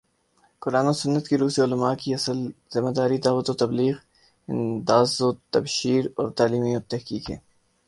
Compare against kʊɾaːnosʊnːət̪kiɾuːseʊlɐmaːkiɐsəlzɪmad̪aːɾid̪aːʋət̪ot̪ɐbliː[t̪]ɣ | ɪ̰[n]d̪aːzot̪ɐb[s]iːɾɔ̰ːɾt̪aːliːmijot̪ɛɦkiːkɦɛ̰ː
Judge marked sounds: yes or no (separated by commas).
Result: no, yes, no